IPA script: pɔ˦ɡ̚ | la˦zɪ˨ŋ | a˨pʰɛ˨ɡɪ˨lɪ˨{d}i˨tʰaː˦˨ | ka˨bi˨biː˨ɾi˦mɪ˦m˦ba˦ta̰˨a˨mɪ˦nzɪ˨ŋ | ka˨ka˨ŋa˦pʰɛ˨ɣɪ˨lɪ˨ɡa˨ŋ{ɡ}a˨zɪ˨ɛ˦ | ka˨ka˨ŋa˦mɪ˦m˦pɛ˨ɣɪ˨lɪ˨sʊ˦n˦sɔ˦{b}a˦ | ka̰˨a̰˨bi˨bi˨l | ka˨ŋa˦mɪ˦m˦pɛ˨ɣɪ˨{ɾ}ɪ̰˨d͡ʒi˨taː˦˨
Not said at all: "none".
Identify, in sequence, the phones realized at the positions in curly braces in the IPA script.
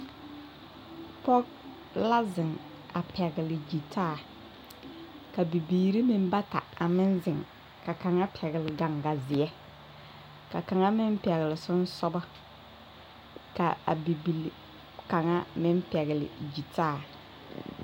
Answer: d͡ʒ, ɡ, b, l

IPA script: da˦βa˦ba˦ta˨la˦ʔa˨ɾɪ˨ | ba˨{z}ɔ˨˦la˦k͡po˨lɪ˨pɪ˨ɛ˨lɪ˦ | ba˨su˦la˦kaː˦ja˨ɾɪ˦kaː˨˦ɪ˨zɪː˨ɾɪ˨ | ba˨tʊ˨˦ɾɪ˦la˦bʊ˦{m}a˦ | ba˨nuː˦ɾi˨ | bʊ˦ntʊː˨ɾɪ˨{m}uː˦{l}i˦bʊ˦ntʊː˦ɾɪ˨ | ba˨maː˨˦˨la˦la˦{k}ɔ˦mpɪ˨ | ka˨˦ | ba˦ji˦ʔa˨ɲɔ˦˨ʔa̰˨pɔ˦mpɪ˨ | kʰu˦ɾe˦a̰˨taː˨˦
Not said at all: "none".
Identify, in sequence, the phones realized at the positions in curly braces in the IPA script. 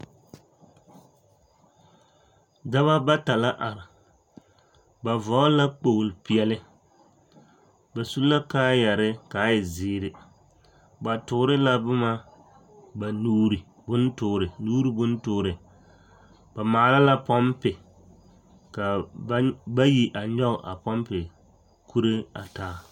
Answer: v, m, n, ɾ, p

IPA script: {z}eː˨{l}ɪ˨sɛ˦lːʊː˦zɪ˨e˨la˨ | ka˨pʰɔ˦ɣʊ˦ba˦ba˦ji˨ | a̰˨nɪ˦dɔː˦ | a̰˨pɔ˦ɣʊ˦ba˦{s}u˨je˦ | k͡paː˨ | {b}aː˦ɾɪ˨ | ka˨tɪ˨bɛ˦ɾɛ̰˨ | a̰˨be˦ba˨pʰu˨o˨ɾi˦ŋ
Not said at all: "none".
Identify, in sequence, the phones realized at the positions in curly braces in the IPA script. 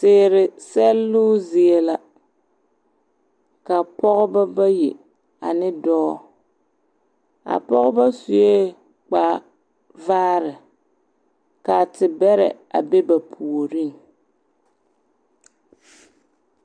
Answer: s, ɾ, s, v

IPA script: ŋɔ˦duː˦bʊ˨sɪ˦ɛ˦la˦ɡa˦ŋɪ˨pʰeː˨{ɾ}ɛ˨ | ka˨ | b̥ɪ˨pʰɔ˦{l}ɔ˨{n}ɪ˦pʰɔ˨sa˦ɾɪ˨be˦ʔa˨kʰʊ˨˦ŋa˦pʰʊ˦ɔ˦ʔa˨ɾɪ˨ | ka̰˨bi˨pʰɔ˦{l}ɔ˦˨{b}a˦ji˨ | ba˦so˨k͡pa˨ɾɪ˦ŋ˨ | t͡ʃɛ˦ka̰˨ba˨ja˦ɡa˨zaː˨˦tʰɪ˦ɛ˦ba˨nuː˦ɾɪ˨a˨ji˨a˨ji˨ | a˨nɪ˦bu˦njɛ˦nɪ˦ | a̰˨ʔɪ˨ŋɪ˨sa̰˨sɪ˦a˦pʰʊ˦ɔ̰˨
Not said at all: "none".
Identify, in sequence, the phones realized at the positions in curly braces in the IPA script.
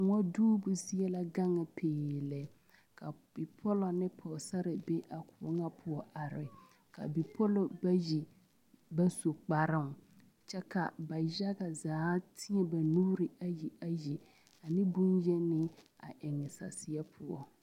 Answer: l, l, n, l, b

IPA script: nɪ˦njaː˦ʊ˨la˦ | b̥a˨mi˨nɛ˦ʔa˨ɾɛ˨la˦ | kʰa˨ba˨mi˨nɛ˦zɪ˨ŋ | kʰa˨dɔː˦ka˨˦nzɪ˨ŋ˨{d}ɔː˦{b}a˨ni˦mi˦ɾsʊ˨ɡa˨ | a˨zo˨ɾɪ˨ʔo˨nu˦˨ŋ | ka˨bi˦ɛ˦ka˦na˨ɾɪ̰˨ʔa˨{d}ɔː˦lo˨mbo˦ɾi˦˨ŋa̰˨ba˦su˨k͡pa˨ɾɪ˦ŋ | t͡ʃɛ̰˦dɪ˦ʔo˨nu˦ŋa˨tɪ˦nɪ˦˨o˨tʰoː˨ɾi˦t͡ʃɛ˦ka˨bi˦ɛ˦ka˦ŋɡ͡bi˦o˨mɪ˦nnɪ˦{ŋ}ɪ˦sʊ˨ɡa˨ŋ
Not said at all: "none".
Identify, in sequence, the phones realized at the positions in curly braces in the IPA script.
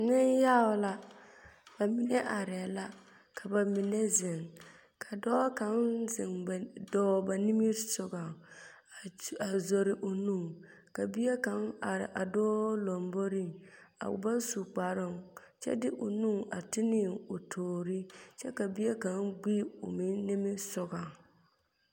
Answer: d, b, d, m

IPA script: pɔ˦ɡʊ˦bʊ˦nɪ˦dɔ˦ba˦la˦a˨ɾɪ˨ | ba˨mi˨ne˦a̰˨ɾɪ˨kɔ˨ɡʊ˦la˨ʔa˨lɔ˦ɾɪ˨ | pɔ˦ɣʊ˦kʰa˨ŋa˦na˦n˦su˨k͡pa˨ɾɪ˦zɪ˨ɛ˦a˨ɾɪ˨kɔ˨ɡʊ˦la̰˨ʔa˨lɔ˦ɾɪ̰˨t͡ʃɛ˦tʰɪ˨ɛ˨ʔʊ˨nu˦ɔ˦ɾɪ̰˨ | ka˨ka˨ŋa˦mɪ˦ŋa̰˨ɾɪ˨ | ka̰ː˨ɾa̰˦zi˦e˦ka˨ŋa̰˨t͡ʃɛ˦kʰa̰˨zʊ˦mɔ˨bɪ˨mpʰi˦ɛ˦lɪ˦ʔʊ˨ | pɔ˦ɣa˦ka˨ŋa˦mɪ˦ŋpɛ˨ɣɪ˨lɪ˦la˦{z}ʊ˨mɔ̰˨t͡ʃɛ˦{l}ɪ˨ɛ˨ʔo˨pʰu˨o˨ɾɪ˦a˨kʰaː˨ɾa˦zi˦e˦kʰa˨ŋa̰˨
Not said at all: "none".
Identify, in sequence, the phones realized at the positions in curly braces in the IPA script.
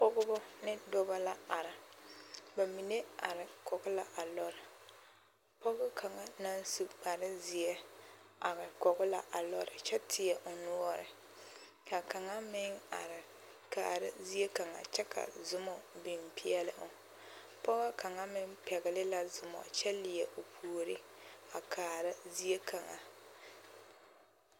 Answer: z, l

